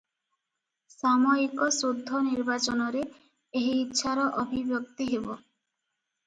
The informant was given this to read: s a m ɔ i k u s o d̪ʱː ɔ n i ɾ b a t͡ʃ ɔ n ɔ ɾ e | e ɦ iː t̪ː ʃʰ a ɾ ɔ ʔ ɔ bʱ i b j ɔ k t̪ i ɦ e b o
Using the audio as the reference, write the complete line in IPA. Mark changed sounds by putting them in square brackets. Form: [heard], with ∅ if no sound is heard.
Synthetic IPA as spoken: s a m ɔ i k [ɔ] s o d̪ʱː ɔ n i ɾ b a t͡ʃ ɔ n ɔ ɾ e | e ɦ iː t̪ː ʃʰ a ɾ ɔ ʔ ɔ bʱ i b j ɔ k t̪ i ɦ e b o

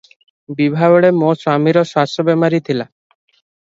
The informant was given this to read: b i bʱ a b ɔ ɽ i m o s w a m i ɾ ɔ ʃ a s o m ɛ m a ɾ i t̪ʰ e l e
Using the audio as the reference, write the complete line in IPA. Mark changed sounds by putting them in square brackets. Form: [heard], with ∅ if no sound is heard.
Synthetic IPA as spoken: b i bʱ a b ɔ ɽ [e] m o s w a m i ɾ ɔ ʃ a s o [b] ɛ m a ɾ i t̪ʰ [i] l [a]

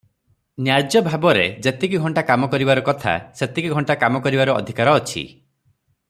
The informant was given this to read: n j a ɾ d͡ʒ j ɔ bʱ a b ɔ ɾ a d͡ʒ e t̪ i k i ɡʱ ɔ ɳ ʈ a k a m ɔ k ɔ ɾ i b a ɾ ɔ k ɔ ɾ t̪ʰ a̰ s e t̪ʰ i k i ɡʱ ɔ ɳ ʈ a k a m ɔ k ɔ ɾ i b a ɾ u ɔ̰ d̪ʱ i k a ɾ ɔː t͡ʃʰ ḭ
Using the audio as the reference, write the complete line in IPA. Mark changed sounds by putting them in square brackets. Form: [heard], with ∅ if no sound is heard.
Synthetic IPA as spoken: n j a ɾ d͡ʒ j ɔ bʱ a b ɔ ɾ [e] d͡ʒ e t̪ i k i ɡʱ ɔ ɳ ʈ a k a m ɔ k ɔ ɾ i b a ɾ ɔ k ɔ [∅] t̪ʰ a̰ s e [t̪] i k i ɡʱ ɔ ɳ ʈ a k a m ɔ k ɔ ɾ i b a ɾ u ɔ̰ d̪ʱ i k a ɾ ɔː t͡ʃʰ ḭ

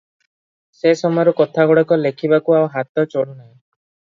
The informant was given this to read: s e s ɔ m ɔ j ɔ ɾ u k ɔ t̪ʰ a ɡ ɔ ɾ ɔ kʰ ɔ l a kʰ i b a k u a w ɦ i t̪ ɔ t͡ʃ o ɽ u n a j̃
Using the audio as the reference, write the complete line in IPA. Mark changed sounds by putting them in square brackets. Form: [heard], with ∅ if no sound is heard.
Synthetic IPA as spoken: s e s ɔ m ɔ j ɔ ɾ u k ɔ t̪ʰ a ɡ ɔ [ɽ] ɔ [k] ɔ l [e] kʰ i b a k u a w ɦ [a] t̪ ɔ t͡ʃ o ɽ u n a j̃

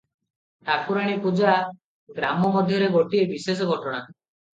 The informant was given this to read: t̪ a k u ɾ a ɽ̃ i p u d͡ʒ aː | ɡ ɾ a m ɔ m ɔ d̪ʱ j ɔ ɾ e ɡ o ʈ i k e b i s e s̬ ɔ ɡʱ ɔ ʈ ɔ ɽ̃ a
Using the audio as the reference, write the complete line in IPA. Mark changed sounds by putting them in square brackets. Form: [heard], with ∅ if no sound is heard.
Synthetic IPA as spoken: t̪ a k u ɾ a ɽ̃ i p u d͡ʒ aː | ɡ ɾ a m ɔ m ɔ d̪ʱ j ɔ ɾ e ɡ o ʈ i [∅] e b i s e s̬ ɔ ɡʱ ɔ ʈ ɔ ɽ̃ a

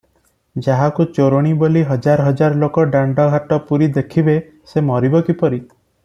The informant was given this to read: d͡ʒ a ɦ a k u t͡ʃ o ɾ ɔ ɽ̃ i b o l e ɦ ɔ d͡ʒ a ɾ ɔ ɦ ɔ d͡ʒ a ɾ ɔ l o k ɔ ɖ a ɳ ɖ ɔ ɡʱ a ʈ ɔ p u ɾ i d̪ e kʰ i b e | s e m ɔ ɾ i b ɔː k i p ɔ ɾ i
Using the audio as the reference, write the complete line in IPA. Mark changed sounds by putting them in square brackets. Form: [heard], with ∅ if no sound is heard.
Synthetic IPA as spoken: d͡ʒ a ɦ a k u t͡ʃ o ɾ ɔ ɽ̃ i b o l [i] ɦ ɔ d͡ʒ a ɾ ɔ ɦ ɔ d͡ʒ a ɾ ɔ l o k ɔ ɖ a ɳ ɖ ɔ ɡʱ a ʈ ɔ p u ɾ i d̪ e kʰ i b e | s e m ɔ ɾ i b [ɔ] k i p ɔ ɾ i

